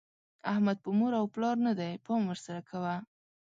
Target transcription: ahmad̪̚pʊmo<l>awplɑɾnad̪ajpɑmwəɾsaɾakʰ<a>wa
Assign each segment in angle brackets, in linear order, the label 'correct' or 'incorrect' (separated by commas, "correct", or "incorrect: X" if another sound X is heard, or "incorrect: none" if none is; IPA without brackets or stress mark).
incorrect: ɾ, correct